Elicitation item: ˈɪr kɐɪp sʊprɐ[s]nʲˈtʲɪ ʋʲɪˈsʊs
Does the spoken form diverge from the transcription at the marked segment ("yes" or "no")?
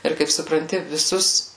yes